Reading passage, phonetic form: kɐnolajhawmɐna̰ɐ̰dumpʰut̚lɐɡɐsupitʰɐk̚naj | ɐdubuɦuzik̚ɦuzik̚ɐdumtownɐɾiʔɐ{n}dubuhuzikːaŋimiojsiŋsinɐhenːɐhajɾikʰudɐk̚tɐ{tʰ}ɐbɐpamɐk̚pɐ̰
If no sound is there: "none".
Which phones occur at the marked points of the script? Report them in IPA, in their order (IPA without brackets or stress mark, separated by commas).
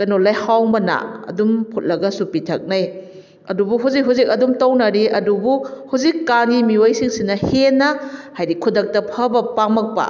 none, pʰ